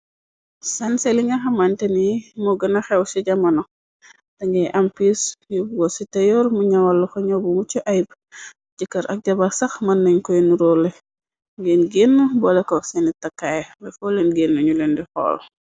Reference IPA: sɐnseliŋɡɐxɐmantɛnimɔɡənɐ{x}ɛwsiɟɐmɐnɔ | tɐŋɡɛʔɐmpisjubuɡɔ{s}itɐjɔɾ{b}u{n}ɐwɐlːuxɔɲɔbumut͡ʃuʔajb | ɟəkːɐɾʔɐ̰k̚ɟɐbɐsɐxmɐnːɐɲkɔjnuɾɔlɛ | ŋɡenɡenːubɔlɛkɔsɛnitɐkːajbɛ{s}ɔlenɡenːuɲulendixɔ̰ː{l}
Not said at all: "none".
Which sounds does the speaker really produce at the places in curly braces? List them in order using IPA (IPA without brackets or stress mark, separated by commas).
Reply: x, s, m, ɲ, f, l